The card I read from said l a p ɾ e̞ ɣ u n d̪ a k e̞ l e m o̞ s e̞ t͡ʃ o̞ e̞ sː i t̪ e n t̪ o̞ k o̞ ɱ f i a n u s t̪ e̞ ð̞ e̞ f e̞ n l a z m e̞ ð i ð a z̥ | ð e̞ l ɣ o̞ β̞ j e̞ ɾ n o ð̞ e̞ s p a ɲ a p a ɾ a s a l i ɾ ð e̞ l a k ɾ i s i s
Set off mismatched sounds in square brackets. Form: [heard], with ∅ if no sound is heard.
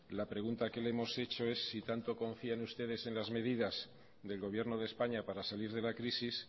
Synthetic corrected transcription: l a p ɾ e̞ ɣ u n [t̪] a k e̞ l e m o̞ s e̞ t͡ʃ o̞ e̞ sː i t̪ [a] n t̪ o̞ k o̞ ɱ f i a n u s t̪ e̞ ð̞ e̞ [s] e̞ n l a z m e̞ ð i ð a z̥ | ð e̞ l ɣ o̞ β̞ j e̞ ɾ n o ð̞ e̞ s p a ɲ a p a ɾ a s a l i ɾ ð e̞ l a k ɾ i s i s